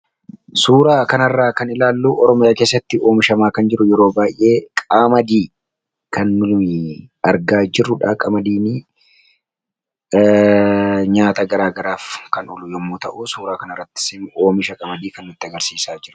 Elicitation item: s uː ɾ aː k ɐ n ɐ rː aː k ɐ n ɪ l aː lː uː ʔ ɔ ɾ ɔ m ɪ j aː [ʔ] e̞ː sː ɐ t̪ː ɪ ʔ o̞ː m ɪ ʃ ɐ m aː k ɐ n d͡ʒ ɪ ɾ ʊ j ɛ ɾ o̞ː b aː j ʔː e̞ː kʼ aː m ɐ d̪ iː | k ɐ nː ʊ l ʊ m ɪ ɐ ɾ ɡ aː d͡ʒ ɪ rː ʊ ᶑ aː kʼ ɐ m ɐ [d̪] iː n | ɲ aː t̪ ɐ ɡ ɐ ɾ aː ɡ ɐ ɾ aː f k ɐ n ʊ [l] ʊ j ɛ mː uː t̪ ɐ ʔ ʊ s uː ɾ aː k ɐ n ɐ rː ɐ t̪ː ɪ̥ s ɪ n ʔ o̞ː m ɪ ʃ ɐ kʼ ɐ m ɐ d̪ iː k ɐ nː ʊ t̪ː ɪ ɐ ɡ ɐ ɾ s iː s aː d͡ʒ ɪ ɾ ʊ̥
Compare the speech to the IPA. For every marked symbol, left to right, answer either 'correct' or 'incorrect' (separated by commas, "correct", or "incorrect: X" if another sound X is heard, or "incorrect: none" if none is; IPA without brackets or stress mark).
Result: incorrect: k, correct, correct